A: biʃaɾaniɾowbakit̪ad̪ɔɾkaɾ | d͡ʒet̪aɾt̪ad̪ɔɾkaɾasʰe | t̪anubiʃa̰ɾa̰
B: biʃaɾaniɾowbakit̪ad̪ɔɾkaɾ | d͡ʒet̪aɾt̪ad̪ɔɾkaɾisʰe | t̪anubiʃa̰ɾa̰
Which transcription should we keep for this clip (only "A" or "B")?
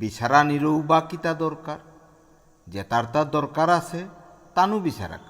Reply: A